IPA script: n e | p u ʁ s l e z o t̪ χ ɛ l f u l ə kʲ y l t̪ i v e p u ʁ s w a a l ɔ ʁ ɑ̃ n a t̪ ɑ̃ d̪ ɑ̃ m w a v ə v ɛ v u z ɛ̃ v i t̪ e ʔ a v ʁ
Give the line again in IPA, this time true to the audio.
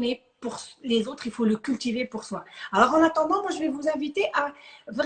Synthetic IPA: n e | p u ʁ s l e z o t̪ χ i l f o l ə kʲ y l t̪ i v e p u ʁ s w a a l ɔ ʁ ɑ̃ n a t̪ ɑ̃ d̪ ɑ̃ m w a ʒ ə v ɛ v u z ɛ̃ v i t̪ e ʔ a v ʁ

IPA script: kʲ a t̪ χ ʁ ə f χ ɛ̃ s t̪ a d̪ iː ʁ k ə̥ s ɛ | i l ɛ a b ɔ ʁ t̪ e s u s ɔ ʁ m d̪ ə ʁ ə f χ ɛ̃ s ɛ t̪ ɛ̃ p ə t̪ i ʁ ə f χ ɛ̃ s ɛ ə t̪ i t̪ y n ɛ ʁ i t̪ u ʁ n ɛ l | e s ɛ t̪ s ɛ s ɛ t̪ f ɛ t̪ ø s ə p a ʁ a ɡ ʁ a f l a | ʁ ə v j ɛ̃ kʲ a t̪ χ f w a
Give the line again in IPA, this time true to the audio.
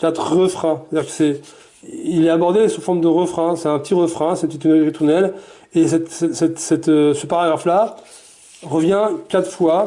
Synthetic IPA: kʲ a t̪ χ ʁ ə f χ ɛ̃ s t̪ a d̪ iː ʁ k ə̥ s ɛ | i l ɛ a b ɔ ʁ d̪ e s u f ɔ ʁ m d̪ ə ʁ ə f χ ɛ̃ s ɛ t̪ ɛ̃ p ə t̪ i ʁ ə f χ ɛ̃ s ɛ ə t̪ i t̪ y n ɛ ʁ i t̪ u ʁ n ɛ l | e s ɛ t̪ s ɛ s ɛ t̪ s ɛ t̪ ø s ə p a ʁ a ɡ ʁ a f l a | ʁ ə v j ɛ̃ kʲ a t̪ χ f w a

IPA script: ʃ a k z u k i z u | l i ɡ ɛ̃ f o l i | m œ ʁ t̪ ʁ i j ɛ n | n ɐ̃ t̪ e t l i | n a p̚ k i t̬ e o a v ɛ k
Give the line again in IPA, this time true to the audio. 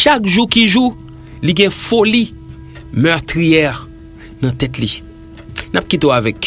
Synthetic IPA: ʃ a k ʒ u k i ʒ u | l i ɡ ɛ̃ f o l i | m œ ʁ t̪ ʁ i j ɛ | n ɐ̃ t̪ ɛ t l i | n a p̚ k i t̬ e o a v ɛ k

